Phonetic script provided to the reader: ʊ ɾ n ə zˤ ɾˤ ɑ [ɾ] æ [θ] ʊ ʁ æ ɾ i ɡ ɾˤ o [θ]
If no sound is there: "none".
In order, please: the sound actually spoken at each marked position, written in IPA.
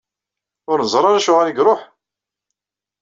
ɾ, ʃ, ħ

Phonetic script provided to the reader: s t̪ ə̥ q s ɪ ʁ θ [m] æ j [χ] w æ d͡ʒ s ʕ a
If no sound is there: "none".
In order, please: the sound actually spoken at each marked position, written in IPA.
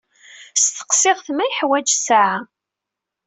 m, ħ

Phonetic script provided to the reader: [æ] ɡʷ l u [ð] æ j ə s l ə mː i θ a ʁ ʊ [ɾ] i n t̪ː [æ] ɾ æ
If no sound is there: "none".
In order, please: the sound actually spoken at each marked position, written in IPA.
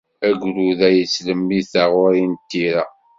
æ, ð, ɾ, i

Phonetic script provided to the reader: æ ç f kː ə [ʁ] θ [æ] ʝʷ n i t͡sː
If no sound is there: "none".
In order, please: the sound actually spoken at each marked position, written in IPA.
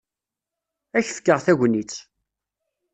ʁ, æ

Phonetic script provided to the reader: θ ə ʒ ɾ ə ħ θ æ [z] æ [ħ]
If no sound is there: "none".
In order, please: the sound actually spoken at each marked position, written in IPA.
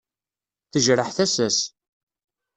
s, s

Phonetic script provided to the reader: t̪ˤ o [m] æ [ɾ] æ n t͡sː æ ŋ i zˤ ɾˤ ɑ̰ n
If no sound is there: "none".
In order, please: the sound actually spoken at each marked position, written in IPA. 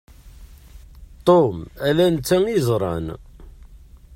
m, l

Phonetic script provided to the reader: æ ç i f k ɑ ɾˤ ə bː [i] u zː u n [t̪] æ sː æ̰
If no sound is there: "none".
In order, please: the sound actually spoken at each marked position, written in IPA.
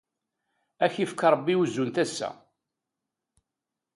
i, t̪

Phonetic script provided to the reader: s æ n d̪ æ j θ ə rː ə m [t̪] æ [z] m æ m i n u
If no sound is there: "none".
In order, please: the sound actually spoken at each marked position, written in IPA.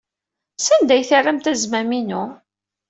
t̪, z

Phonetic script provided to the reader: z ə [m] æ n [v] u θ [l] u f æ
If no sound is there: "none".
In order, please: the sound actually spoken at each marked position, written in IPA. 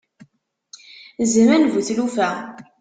m, v, l

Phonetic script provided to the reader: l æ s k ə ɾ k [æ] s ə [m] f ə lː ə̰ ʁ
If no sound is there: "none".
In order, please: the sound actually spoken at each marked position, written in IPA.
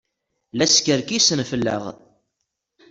i, n

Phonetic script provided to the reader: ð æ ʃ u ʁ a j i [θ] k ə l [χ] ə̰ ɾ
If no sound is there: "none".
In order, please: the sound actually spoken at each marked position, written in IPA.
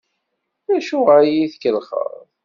θ, χ

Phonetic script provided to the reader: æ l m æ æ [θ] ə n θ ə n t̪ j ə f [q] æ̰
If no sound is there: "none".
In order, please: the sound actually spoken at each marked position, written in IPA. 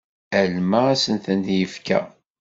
s, k

